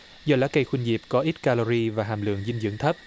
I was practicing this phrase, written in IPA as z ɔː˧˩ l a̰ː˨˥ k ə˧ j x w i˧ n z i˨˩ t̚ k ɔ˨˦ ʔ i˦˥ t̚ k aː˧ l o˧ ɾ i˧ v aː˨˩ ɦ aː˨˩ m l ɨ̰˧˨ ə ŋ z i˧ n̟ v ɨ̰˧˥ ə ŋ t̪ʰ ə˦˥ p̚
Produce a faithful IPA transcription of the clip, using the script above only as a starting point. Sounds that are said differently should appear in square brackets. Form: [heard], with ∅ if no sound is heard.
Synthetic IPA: z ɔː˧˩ l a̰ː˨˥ k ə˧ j x w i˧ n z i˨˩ [p̚] k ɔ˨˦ ʔ i˦˥ t̚ k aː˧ l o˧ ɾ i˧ v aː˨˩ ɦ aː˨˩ m l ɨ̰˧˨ ə ŋ z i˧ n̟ [z] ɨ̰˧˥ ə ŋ t̪ʰ ə˦˥ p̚